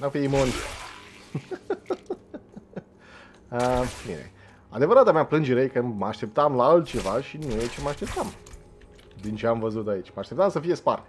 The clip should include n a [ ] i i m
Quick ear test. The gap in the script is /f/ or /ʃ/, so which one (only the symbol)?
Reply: f